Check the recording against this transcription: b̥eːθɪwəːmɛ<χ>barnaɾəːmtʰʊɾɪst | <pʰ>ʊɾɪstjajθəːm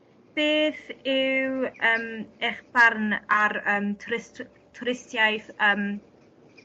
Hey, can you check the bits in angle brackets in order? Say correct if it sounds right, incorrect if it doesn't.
correct, incorrect: tʰ

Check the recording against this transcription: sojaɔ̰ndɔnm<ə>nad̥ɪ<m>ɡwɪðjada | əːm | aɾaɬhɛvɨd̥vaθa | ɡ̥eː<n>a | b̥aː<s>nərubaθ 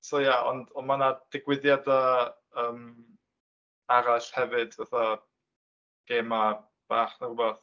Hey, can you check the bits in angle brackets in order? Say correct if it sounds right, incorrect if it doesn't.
incorrect: a, incorrect: none, incorrect: m, incorrect: χ

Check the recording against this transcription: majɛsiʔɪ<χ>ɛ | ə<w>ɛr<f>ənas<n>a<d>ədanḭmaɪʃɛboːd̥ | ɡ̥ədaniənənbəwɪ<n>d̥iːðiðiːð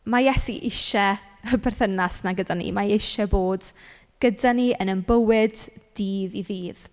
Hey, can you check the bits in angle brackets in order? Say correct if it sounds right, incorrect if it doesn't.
incorrect: ʃ, incorrect: b, incorrect: θ, correct, incorrect: ɡ, incorrect: d

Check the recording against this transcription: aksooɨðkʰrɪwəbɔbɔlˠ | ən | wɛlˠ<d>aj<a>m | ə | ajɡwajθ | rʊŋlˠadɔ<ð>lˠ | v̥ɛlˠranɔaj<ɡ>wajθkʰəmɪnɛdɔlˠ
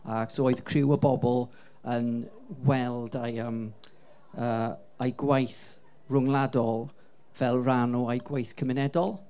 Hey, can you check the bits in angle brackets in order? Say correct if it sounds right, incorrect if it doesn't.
correct, incorrect: ə, incorrect: none, correct

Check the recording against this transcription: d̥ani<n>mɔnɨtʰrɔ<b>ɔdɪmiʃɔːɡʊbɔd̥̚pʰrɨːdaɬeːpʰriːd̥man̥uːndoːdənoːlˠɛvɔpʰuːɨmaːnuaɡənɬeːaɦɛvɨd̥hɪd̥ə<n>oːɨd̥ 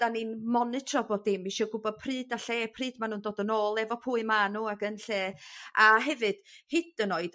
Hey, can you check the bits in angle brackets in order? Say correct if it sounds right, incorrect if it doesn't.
correct, correct, correct

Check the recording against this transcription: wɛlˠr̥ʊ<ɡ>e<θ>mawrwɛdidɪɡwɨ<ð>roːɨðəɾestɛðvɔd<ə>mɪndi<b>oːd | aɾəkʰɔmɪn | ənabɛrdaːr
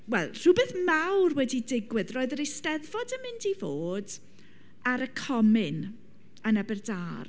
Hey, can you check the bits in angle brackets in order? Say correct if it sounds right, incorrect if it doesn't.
incorrect: b, correct, correct, correct, incorrect: v

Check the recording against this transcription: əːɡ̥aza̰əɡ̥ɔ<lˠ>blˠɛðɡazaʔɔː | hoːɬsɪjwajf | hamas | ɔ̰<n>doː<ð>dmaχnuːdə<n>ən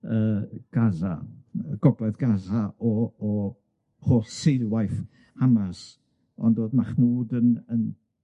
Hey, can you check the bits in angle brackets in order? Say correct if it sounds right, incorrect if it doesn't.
incorrect: none, correct, incorrect: none, correct

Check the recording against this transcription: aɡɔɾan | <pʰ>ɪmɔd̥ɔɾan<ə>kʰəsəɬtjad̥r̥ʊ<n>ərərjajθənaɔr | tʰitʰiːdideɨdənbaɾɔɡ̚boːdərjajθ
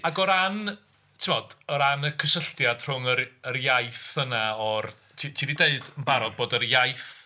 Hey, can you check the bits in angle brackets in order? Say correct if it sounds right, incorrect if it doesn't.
incorrect: tʰ, correct, incorrect: ŋ

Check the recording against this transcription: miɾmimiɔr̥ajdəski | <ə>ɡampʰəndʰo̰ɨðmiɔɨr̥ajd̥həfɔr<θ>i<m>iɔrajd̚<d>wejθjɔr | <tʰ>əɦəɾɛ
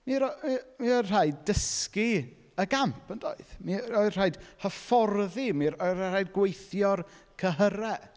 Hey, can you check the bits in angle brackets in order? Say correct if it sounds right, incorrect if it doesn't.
correct, incorrect: ð, correct, incorrect: ɡ, incorrect: kʰ

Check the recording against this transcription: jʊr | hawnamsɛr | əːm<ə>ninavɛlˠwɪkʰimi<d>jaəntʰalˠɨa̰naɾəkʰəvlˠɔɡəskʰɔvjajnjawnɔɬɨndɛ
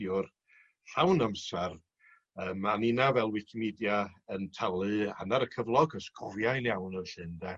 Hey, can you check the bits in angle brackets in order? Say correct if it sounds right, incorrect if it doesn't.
incorrect: a, correct

